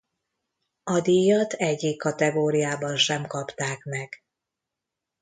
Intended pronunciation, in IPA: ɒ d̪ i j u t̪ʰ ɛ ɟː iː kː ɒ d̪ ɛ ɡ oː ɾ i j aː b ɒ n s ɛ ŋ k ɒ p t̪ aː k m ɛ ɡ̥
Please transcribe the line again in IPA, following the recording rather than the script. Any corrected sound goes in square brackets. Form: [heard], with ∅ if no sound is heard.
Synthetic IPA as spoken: ɒ d̪ i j [ɒ] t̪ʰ ɛ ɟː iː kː ɒ [t̪] ɛ ɡ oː ɾ i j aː b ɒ n [ʃ] ɛ [m] k ɒ p t̪ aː k m ɛ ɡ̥